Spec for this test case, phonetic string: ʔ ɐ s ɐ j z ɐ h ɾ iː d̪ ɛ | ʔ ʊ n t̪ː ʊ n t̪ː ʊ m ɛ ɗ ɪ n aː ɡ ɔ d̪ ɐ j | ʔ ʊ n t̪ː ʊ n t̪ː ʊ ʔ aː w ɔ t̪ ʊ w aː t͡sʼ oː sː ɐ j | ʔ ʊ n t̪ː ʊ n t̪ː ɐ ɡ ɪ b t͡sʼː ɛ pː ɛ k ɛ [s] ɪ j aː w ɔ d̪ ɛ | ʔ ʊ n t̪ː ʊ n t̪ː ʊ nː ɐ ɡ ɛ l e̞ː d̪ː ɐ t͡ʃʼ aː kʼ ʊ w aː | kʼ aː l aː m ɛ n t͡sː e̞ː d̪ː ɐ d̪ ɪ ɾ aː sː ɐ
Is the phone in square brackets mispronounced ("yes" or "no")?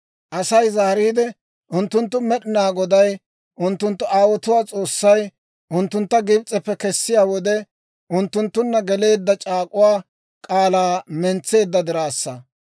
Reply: yes